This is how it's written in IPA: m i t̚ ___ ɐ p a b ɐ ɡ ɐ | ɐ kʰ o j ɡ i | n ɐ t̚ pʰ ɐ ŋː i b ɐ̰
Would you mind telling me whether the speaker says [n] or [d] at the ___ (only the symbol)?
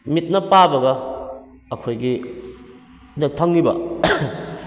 n